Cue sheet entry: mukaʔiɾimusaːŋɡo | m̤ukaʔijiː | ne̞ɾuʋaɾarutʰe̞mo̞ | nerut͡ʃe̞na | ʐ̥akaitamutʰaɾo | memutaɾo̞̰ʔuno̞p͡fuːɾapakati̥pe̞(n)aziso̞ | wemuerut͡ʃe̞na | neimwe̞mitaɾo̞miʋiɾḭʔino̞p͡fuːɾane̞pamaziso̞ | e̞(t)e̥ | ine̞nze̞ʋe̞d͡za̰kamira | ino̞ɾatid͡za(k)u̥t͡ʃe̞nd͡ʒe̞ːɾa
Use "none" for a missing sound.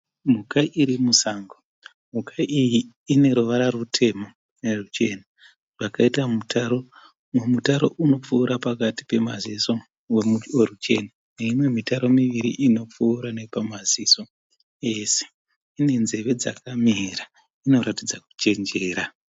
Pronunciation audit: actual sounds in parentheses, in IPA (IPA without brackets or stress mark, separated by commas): m, s, k